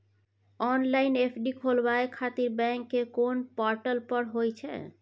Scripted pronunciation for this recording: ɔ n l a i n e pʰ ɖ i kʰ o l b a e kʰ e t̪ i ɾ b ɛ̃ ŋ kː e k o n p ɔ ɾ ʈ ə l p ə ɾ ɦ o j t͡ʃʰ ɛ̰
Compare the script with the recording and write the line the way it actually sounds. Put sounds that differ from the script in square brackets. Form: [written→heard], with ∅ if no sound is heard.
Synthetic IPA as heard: ɔ n l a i n e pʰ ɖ i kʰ o l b a e kʰ [e→a] t̪ i ɾ b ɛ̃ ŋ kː e k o n p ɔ ɾ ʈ ə l p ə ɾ ɦ o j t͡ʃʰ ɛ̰